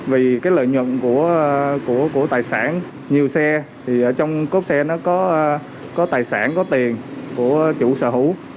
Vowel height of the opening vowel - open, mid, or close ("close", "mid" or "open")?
close